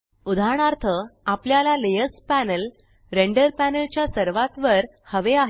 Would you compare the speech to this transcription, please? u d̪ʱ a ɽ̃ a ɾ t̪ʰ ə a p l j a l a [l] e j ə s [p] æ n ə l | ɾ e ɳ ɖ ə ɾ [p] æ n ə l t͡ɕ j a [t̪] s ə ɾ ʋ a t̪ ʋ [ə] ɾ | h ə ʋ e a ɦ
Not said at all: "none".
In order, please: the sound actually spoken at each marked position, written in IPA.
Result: l, p, p, none, ə

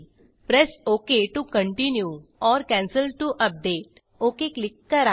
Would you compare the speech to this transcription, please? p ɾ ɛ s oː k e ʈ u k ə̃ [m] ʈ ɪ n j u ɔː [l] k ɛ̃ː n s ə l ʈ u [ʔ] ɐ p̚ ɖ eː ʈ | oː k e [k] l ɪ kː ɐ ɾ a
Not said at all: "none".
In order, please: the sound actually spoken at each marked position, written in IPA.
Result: ɳ, ɾ, ʔ, k

